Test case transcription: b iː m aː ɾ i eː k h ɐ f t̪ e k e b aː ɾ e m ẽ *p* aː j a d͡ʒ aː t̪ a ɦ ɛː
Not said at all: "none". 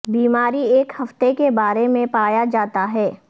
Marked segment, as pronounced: p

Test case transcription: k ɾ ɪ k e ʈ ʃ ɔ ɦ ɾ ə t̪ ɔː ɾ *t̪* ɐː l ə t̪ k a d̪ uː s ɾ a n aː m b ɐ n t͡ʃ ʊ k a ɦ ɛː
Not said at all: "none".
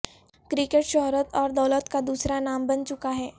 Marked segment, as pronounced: d̪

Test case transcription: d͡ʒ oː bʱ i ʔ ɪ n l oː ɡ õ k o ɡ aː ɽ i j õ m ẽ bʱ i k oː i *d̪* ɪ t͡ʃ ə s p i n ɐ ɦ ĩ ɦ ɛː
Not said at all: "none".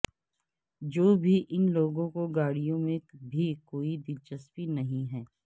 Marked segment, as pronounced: d̪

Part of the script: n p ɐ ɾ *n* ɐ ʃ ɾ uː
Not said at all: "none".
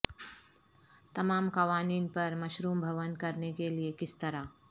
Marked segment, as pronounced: m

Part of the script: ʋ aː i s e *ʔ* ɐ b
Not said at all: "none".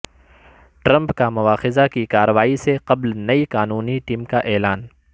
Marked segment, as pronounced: q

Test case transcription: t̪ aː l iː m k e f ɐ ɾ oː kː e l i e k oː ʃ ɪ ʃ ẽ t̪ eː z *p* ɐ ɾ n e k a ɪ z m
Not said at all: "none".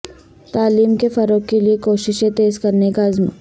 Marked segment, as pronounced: k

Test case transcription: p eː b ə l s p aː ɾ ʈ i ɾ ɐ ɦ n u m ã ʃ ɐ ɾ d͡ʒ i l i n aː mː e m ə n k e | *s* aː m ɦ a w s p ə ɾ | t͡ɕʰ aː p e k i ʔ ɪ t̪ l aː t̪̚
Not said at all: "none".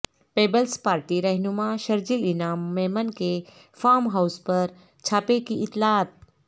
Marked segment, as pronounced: f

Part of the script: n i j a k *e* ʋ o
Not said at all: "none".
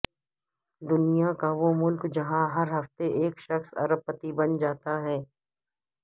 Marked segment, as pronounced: a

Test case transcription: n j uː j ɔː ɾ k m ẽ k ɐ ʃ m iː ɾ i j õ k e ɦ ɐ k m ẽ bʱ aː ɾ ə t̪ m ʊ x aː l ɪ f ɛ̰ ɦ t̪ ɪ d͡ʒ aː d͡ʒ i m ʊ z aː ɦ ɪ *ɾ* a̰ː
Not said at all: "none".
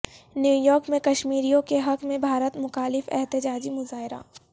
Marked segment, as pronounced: ɾ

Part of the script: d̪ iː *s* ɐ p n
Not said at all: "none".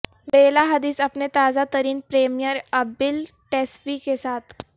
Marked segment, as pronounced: s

